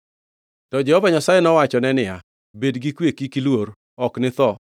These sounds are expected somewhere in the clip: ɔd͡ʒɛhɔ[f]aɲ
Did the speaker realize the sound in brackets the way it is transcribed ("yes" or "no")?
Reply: no